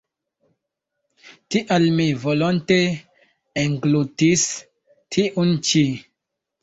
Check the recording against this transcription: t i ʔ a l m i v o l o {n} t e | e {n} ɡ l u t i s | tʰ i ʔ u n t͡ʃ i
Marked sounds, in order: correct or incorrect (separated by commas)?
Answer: correct, incorrect